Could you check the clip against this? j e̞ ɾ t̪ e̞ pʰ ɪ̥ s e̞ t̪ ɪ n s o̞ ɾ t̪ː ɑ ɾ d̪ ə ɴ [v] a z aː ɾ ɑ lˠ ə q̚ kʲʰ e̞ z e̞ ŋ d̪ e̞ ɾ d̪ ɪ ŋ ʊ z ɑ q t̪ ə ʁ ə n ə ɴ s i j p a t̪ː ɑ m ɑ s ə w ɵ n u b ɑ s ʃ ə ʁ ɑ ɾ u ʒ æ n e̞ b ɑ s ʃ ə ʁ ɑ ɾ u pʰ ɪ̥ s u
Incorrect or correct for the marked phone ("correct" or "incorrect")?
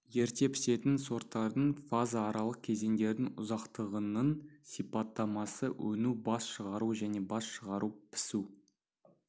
incorrect